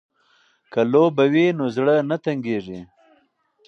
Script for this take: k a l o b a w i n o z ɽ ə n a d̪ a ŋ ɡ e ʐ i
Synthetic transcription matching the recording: k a l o b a w i n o z ɽ ə n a t̪ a ŋ ɡ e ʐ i